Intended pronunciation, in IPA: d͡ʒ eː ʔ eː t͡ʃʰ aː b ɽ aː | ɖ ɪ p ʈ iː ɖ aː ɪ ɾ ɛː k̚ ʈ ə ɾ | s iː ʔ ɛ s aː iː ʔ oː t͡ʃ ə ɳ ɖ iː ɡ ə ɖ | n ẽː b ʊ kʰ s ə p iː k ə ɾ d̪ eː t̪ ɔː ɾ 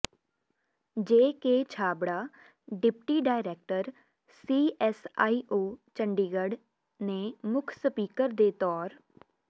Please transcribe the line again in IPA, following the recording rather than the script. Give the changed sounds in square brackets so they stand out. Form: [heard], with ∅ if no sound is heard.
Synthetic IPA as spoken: d͡ʒ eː [k] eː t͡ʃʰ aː b ɽ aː | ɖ ɪ p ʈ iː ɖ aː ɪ ɾ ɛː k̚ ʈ ə ɾ | s iː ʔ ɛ s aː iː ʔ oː t͡ʃ ə ɳ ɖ iː ɡ ə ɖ | n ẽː [m] ʊ kʰ s ə p iː k ə ɾ d̪ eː t̪ ɔː ɾ